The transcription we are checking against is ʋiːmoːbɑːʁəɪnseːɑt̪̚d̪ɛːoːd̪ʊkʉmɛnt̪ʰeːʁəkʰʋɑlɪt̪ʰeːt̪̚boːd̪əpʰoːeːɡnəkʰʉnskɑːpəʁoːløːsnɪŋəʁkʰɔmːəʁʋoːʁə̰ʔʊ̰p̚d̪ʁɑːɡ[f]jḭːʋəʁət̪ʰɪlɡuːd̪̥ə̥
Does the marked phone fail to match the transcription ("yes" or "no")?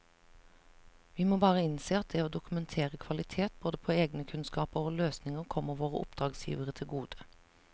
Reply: yes